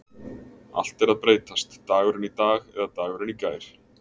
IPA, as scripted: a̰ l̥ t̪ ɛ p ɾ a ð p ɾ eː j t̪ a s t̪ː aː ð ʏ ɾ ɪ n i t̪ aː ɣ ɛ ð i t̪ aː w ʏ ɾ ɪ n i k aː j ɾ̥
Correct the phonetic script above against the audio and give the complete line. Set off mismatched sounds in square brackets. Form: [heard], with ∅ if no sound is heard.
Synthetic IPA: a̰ l̥ t̪ ɛ [∅] ɾ a ð p ɾ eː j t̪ a s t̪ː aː [ɣ] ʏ ɾ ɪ n i t̪ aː ɣ ɛ ð [a] t̪ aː [ɣ] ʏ ɾ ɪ n i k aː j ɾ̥